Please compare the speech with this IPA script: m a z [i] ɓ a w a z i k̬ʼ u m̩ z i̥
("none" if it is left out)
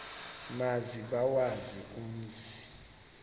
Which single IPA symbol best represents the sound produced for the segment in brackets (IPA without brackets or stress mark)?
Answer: i